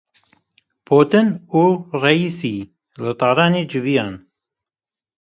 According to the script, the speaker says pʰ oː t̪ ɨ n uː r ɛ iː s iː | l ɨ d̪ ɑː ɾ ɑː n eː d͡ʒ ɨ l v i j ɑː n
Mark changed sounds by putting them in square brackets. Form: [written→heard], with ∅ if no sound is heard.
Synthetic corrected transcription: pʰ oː t̪ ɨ n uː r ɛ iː s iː | l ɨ [d̪→t̪] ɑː ɾ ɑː n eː d͡ʒ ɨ [l→∅] v i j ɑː n